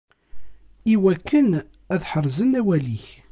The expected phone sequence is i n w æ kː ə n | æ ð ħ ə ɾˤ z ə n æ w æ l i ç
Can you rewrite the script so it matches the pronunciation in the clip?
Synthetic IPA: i w æ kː ə n | æ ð ħ ə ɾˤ z ə n æ w æ l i ç